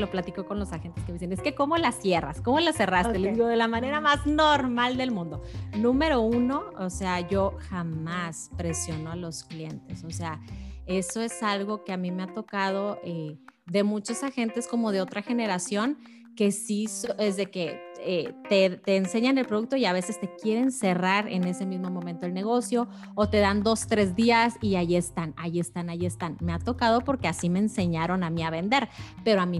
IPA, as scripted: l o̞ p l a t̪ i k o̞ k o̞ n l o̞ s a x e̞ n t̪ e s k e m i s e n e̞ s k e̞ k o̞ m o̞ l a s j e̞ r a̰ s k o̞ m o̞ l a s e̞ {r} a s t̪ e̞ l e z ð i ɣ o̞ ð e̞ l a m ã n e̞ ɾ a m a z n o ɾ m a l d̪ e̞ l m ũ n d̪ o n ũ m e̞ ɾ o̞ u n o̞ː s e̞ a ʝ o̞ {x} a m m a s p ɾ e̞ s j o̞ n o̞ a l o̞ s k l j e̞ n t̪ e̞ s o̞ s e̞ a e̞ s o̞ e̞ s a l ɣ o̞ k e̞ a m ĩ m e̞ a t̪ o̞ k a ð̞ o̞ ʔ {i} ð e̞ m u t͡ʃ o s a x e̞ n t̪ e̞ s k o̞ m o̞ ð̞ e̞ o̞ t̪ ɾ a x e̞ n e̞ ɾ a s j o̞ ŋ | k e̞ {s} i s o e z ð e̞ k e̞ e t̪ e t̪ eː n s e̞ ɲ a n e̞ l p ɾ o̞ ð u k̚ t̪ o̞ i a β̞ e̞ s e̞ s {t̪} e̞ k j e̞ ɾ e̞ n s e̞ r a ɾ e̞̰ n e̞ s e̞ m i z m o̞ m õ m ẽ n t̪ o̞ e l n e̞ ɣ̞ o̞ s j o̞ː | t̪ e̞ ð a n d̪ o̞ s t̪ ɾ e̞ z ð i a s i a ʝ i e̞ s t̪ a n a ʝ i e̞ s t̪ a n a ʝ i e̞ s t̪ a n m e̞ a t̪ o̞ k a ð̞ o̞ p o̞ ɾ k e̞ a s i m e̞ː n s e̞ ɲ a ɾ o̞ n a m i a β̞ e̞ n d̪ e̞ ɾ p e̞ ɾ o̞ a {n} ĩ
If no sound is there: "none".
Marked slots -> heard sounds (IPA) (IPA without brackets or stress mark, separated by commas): r, x, e, s, t̪, m